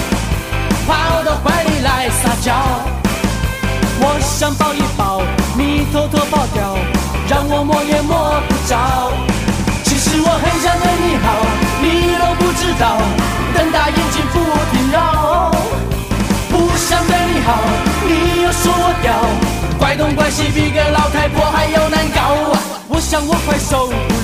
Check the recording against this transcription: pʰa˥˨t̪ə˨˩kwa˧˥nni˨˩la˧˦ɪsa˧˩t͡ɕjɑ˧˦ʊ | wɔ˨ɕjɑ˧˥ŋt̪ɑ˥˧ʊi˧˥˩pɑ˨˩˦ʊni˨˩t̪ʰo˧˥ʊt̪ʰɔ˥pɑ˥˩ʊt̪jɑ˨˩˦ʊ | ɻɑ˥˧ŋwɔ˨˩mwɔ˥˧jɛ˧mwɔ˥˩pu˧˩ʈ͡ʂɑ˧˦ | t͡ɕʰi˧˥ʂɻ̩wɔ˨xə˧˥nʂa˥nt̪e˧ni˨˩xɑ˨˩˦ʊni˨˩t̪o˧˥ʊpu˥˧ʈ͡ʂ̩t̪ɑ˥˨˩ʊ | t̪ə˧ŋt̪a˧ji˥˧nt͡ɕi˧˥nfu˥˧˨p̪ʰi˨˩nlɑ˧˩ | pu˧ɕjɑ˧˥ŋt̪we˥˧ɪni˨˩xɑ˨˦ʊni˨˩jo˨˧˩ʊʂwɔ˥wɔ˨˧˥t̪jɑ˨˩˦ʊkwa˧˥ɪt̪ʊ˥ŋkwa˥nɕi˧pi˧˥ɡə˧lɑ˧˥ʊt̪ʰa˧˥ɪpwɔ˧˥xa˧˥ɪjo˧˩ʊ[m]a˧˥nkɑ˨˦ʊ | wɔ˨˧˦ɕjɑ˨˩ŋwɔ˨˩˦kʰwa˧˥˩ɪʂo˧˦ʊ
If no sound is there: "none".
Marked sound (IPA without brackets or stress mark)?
n